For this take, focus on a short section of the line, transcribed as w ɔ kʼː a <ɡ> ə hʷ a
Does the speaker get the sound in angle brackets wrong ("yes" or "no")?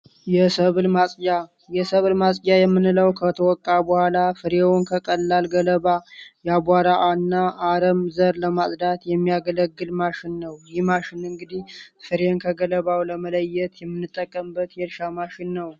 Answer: yes